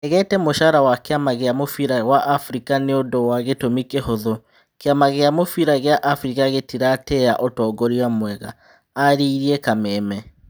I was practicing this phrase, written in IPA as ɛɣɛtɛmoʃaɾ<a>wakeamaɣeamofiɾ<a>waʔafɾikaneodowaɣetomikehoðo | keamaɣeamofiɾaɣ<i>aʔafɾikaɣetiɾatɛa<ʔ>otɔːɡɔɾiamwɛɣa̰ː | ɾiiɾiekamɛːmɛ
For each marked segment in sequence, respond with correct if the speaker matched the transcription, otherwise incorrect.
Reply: correct, correct, incorrect: e, correct

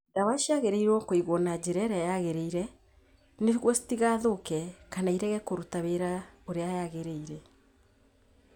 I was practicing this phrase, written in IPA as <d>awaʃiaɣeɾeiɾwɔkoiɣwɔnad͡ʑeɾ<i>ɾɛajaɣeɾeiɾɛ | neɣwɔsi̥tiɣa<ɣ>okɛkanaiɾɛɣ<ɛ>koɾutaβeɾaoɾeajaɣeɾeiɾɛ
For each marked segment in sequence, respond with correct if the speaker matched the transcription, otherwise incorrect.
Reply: correct, incorrect: ɛ, incorrect: ð, correct

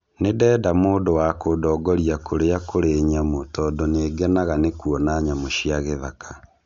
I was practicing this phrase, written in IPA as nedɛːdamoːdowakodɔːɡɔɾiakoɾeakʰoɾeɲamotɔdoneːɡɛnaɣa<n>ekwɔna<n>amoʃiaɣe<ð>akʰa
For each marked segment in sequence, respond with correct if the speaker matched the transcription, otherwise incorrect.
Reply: correct, incorrect: ɲ, correct

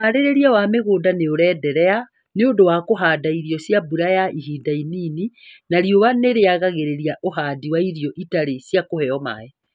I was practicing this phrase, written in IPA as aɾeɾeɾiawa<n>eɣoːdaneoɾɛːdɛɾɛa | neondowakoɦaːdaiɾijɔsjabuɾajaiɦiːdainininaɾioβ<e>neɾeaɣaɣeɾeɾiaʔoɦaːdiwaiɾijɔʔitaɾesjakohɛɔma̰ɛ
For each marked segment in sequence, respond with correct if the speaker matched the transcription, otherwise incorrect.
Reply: incorrect: m, incorrect: a

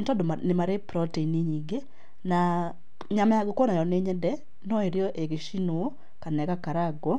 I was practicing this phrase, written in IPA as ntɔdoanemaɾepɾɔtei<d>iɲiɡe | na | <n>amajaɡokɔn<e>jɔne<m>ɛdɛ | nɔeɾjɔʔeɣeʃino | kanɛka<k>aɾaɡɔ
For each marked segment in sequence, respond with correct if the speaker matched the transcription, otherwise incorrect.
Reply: incorrect: n, incorrect: ɲ, incorrect: a, incorrect: ɲ, correct

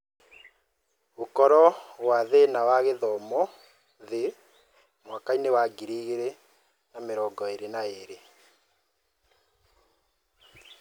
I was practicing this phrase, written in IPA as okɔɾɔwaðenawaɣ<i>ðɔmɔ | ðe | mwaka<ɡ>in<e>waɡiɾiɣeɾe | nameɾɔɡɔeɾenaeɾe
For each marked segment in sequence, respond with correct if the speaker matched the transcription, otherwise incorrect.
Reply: incorrect: e, incorrect: none, correct

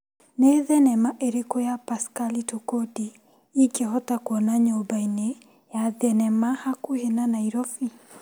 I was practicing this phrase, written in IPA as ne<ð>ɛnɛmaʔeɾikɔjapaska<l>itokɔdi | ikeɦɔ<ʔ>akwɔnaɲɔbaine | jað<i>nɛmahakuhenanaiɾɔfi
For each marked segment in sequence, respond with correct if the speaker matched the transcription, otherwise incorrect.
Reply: correct, correct, incorrect: t, incorrect: ɛ

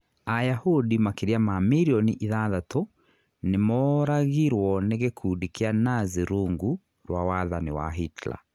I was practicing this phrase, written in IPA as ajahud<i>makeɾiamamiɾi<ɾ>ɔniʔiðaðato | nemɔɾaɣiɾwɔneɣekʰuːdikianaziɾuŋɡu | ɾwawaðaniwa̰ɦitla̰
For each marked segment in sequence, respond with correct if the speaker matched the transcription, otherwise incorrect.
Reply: correct, incorrect: none

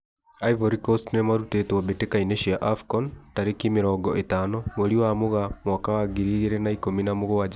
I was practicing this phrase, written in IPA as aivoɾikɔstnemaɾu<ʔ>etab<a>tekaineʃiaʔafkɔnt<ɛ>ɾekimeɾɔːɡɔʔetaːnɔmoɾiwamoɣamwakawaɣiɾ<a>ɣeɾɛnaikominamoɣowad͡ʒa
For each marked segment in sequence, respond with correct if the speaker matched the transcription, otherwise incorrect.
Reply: incorrect: t, incorrect: e, incorrect: a, incorrect: i

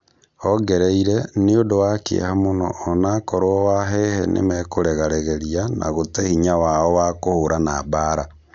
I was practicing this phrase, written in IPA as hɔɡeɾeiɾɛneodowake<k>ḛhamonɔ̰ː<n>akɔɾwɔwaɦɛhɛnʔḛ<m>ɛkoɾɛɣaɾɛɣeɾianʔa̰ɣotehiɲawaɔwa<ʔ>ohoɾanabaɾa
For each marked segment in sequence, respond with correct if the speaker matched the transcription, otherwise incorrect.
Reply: incorrect: none, correct, correct, incorrect: k

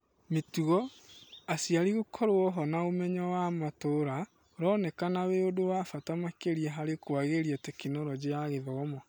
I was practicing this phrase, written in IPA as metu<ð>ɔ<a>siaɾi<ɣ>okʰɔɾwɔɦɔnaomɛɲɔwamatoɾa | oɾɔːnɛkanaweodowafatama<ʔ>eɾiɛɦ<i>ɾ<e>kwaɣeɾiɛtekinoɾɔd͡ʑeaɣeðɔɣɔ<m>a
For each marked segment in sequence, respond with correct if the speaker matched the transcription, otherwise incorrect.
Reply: incorrect: ɣ, correct, correct, incorrect: k, incorrect: a, correct, correct

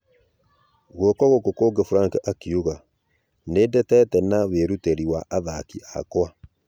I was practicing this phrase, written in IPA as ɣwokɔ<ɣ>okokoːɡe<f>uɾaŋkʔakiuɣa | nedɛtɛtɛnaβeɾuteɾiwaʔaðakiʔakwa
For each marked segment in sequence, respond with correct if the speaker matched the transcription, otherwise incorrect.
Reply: correct, correct

